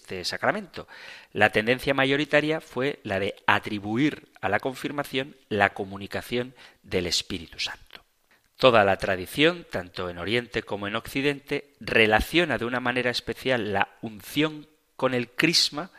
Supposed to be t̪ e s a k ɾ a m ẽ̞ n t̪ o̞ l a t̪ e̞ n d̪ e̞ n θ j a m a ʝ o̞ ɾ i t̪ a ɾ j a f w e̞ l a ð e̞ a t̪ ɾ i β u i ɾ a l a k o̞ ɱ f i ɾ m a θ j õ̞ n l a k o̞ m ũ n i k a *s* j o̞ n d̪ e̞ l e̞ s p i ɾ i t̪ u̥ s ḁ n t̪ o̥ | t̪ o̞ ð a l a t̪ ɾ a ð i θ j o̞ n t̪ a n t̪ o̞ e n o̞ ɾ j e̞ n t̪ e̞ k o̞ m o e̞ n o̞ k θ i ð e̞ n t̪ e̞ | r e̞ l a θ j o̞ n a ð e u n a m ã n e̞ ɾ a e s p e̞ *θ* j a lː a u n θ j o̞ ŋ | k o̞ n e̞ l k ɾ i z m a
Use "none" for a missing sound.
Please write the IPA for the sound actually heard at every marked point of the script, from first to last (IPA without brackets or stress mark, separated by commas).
θ, θ